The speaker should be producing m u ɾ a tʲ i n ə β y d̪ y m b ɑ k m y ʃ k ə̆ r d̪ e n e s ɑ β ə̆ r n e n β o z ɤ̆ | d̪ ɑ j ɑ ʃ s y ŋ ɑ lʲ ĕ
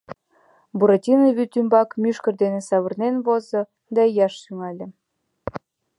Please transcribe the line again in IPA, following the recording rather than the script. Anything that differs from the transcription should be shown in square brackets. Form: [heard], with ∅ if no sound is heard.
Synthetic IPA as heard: [b] u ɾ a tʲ i n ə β y [t̪] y m b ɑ k m y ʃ k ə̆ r d̪ e n e s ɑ β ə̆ r n e n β o z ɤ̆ | d̪ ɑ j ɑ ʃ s y ŋ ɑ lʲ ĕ